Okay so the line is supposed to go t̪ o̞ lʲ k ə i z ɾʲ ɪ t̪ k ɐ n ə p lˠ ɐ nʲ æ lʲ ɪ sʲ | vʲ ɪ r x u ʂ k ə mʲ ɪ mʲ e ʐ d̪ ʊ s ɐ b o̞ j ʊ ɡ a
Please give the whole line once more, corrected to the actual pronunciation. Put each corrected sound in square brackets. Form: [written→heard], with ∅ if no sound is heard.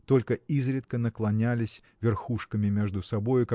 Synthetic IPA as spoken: t̪ o̞ lʲ k ə i z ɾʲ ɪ t̪ k [ɐ→ə] n ə [p→k] lˠ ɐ nʲ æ lʲ ɪ sʲ | vʲ ɪ r x u ʂ k ə mʲ ɪ mʲ e ʐ d̪ ʊ s ɐ b o̞ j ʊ [ɡ→k] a